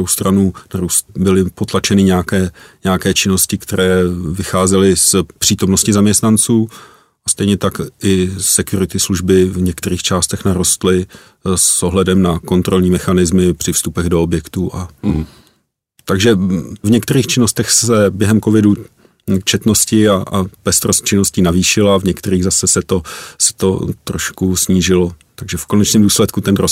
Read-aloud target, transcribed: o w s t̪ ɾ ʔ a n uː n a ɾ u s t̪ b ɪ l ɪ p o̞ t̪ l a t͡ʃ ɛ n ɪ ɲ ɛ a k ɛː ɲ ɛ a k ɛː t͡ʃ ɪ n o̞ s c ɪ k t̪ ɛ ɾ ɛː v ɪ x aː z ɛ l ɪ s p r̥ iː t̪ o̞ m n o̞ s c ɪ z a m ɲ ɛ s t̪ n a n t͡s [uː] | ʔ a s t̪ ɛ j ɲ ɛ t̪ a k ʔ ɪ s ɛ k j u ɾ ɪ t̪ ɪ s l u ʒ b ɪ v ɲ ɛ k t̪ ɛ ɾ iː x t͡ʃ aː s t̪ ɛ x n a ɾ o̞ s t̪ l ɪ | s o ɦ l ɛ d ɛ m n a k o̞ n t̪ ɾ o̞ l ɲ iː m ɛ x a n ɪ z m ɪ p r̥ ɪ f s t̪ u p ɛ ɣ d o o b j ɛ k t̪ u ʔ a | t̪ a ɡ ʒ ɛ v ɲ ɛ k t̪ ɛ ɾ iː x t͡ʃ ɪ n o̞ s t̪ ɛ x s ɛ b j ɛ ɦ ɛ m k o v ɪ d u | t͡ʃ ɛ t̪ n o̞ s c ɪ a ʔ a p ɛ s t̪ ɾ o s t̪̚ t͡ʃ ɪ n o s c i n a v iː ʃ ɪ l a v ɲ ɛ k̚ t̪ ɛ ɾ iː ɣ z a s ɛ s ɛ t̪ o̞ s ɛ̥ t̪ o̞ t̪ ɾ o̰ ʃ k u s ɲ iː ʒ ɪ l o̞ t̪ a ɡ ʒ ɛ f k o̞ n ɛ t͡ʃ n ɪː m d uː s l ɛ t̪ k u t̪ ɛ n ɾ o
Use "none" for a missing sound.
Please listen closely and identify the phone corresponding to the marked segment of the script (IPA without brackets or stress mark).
uː